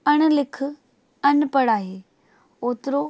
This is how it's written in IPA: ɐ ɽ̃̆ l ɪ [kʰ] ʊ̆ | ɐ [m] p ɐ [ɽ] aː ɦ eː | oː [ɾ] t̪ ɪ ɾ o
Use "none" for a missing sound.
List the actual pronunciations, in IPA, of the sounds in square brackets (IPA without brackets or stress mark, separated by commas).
kʰ, n, ɽ, none